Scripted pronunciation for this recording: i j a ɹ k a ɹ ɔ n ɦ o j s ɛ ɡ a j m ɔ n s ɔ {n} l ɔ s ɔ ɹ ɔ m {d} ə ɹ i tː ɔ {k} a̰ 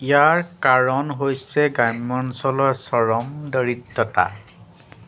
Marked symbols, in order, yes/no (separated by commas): no, yes, no